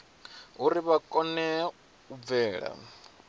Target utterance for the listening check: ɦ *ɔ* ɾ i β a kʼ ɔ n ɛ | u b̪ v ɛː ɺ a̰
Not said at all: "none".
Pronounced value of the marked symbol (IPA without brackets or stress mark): u